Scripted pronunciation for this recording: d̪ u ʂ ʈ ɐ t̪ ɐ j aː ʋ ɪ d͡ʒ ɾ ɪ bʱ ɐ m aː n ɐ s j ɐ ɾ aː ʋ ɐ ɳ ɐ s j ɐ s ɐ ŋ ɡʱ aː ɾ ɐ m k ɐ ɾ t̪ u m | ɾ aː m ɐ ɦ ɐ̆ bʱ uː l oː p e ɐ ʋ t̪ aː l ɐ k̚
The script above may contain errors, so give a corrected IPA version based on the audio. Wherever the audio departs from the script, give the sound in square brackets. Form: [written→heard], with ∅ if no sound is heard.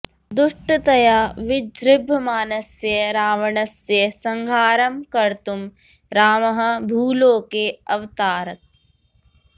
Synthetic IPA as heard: d̪ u ʂ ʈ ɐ t̪ ɐ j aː ʋ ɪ d͡ʒ ɾ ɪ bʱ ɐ m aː n ɐ s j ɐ ɾ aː ʋ ɐ ɳ ɐ s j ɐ s ɐ ŋ ɡʱ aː ɾ ɐ m k ɐ ɾ t̪ u m | ɾ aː m ɐ ɦ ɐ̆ bʱ uː l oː [p→k] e ɐ ʋ t̪ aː [l→ɾ] ɐ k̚

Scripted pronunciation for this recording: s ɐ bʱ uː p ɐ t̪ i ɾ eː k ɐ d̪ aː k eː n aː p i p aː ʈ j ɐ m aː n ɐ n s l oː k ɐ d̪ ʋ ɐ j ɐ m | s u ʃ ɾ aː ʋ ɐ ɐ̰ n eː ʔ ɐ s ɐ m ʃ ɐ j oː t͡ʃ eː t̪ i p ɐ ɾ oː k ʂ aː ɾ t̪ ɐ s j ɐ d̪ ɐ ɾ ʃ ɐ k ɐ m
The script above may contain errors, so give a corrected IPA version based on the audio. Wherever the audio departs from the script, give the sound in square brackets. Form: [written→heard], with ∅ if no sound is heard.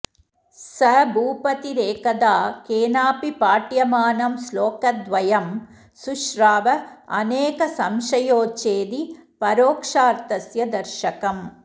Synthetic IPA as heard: s ɐ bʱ uː p ɐ t̪ i ɾ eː k ɐ d̪ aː k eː n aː p i p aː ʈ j ɐ m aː n ɐ [n→m] s l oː k ɐ d̪ ʋ ɐ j ɐ m | s u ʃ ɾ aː ʋ ɐ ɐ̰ n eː [ʔ→k] ɐ s ɐ m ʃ ɐ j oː t͡ʃ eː [t̪→d̪] i p ɐ ɾ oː k ʂ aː ɾ t̪ ɐ s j ɐ d̪ ɐ ɾ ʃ ɐ k ɐ m

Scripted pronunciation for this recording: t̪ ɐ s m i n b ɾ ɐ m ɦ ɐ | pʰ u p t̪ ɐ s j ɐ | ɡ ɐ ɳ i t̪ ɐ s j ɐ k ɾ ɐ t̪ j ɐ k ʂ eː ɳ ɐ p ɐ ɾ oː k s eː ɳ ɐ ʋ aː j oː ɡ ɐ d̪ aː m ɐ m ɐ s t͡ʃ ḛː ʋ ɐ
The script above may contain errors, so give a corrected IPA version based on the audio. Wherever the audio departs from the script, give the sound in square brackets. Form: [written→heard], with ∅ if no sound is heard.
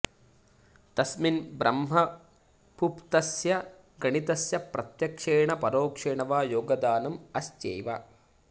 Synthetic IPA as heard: t̪ ɐ s m i n b ɾ ɐ m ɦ ɐ | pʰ u p t̪ ɐ s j ɐ | ɡ ɐ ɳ i t̪ ɐ s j ɐ [k→p] ɾ ɐ t̪ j ɐ k ʂ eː ɳ ɐ p ɐ ɾ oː k [s→ʂ] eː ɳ ɐ ʋ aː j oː ɡ ɐ d̪ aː [m→n] ɐ m ɐ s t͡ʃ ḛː ʋ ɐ

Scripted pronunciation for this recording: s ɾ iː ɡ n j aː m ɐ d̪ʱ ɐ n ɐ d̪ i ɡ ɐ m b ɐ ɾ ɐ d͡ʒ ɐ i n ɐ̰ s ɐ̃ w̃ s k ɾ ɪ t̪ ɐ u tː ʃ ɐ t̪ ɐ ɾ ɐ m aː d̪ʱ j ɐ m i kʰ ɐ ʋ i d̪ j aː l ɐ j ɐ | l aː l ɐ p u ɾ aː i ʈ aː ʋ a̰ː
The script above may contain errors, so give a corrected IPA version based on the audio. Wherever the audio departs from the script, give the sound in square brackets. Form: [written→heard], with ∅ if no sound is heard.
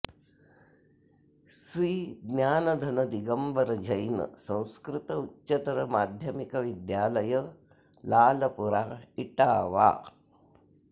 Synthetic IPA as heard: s ɾ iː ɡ n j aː [m→n] ɐ d̪ʱ ɐ n ɐ d̪ i ɡ ɐ m b ɐ ɾ ɐ d͡ʒ ɐ [i→j] n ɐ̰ s ɐ̃ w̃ s k ɾ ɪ t̪ ɐ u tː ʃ ɐ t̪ ɐ ɾ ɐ m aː d̪ʱ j ɐ m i [kʰ→k] ɐ ʋ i d̪ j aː l ɐ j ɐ | l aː l ɐ p u ɾ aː i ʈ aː ʋ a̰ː

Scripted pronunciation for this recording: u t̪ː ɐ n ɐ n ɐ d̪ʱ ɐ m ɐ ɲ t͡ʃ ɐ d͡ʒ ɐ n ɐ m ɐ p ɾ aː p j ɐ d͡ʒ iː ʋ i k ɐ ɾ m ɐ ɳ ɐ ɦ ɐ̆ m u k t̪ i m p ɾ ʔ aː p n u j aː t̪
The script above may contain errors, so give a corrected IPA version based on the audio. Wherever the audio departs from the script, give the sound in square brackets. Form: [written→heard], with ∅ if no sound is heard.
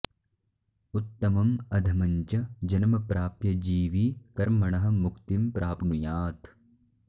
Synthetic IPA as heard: u t̪ː ɐ [n→m] ɐ [n→m] ɐ d̪ʱ ɐ m ɐ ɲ t͡ʃ ɐ d͡ʒ ɐ n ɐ m ɐ p ɾ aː p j ɐ d͡ʒ iː ʋ i k ɐ ɾ m ɐ ɳ ɐ ɦ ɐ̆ m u k t̪ i m p ɾ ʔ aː p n u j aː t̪

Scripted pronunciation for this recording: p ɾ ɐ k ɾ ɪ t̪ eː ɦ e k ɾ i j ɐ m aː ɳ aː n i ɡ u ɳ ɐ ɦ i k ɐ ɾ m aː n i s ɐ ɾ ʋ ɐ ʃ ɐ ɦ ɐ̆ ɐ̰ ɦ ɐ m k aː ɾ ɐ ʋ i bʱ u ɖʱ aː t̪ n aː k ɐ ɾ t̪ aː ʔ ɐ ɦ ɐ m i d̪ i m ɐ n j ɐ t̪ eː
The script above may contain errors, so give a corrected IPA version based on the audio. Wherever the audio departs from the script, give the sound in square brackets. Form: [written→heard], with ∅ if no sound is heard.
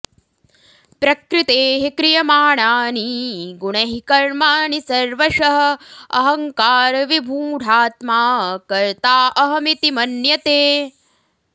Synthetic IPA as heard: p ɾ ɐ k ɾ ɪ t̪ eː ɦ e k ɾ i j ɐ m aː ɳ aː n i ɡ u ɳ ɐ ɦ i k ɐ ɾ m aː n i s ɐ ɾ ʋ ɐ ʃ ɐ ɦ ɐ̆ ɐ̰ ɦ ɐ [m→ŋ] k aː ɾ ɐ ʋ i bʱ [u→uː] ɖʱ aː t̪ [n→m] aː k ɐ ɾ t̪ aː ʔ ɐ ɦ ɐ m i [d̪→t̪] i m ɐ n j ɐ t̪ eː

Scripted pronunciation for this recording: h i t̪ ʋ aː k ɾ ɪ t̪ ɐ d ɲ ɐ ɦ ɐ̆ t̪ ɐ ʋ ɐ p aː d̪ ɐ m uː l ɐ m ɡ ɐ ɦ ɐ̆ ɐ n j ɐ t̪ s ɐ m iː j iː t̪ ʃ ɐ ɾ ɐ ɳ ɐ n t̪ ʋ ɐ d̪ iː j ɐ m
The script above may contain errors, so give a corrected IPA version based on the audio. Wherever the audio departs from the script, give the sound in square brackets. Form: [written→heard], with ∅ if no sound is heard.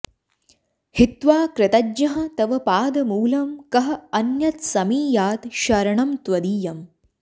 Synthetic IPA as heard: h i t̪ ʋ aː k ɾ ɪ t̪ ɐ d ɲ ɐ ɦ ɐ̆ t̪ ɐ ʋ ɐ p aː d̪ ɐ m uː l ɐ m [ɡ→k] ɐ ɦ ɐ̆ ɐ n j ɐ t̪ s ɐ m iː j [iː→aː] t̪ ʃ ɐ ɾ ɐ ɳ ɐ [n→m] t̪ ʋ ɐ d̪ iː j ɐ m

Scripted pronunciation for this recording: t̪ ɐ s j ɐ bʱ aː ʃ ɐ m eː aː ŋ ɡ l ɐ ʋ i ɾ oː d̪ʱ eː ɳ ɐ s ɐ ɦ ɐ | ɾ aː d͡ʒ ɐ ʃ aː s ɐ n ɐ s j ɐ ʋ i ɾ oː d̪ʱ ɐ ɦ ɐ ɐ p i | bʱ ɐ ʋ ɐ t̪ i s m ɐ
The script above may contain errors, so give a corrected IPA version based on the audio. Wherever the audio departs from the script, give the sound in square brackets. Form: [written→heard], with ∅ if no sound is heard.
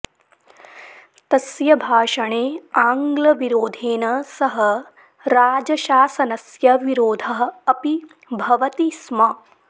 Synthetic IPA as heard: t̪ ɐ s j ɐ bʱ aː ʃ ɐ [m→ɳ] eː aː ŋ ɡ l ɐ ʋ i ɾ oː d̪ʱ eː [ɳ→n] ɐ s ɐ ɦ ɐ | ɾ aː d͡ʒ ɐ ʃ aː s ɐ n ɐ s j ɐ ʋ i ɾ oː d̪ʱ ɐ ɦ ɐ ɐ p i | bʱ ɐ ʋ ɐ t̪ i s m ɐ

